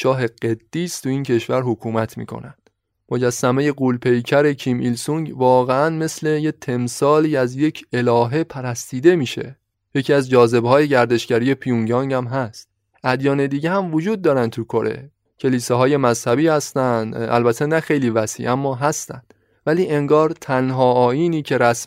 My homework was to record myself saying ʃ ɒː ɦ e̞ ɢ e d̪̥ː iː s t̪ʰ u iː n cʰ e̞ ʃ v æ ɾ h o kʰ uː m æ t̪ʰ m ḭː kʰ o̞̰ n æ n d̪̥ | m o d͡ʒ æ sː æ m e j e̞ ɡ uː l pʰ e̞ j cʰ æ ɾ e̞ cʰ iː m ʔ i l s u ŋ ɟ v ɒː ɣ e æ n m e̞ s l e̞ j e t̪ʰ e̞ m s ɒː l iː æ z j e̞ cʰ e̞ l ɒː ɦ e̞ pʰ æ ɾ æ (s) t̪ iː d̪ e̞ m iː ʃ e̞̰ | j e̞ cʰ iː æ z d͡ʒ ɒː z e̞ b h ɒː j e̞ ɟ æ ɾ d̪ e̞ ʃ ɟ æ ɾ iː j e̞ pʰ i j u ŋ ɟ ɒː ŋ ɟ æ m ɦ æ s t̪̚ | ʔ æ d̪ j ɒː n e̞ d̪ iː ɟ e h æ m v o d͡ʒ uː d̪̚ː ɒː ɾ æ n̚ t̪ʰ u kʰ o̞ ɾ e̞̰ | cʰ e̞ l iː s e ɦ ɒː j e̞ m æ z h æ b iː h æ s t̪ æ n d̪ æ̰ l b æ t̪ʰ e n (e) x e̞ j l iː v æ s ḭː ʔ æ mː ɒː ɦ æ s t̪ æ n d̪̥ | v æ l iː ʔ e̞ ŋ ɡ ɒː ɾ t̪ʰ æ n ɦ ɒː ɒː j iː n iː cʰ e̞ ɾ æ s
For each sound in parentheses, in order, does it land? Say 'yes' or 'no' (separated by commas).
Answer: yes, no